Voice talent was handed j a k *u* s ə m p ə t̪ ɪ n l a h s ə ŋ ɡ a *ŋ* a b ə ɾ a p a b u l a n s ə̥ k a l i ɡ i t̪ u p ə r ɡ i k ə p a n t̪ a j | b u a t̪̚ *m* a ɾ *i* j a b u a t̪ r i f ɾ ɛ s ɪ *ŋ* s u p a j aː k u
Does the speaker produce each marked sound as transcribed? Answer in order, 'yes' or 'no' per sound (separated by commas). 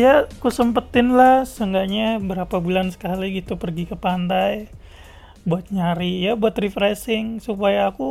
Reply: yes, no, no, yes, yes